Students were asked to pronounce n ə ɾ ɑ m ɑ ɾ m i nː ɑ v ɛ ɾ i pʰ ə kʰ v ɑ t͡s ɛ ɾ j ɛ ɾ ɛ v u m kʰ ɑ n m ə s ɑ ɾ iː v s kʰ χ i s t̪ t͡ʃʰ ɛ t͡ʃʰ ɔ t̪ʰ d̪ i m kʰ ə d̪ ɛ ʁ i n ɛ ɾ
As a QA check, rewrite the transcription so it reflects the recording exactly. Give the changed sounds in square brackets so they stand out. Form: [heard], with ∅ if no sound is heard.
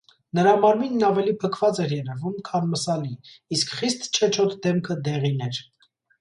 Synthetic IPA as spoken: n ə ɾ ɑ m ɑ ɾ m i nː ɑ v ɛ [l] i pʰ ə kʰ v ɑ t͡s ɛ ɾ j ɛ ɾ ɛ v u m kʰ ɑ n m ə s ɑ [l] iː [∅] s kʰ χ i s t̪ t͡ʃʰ ɛ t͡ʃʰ ɔ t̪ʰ d̪ [ɛ] m kʰ ə d̪ ɛ ʁ i n ɛ ɾ